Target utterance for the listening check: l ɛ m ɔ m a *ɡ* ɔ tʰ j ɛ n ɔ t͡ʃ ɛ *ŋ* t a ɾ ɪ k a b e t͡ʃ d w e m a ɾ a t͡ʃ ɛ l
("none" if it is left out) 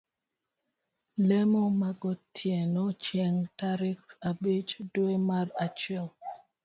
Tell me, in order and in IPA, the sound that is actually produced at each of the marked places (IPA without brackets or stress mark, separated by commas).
ɡ, ŋ